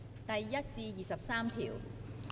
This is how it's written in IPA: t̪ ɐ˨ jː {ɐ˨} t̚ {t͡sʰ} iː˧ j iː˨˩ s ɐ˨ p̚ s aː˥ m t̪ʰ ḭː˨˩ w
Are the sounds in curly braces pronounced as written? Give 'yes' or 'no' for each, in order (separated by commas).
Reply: no, no